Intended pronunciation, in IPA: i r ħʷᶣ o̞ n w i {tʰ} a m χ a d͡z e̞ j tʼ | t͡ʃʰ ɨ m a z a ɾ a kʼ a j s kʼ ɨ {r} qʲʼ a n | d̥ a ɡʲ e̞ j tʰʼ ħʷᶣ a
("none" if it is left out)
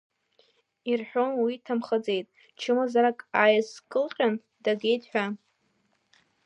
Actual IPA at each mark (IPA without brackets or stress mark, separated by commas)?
tʰ, l